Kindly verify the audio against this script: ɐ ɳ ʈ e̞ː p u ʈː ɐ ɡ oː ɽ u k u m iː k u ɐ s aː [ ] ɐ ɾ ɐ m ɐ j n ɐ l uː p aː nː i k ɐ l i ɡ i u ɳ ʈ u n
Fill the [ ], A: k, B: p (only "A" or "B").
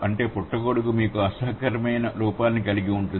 A